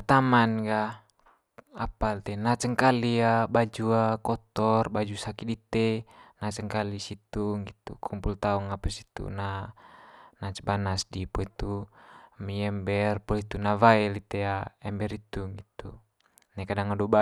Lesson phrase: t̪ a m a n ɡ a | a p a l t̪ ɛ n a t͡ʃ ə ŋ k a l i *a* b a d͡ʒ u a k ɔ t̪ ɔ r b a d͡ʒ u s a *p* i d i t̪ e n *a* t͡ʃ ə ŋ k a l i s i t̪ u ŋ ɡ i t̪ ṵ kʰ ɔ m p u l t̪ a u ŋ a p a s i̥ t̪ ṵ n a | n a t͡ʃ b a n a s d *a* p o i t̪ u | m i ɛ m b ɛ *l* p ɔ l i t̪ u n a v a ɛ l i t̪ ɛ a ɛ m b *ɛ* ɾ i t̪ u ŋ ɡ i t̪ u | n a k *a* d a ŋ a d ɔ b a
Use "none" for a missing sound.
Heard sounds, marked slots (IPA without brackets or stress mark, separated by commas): a, k, a, i, r, ɛ, a